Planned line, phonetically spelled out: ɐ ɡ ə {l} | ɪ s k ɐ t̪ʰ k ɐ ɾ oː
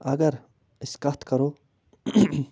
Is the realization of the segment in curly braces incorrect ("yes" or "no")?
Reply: yes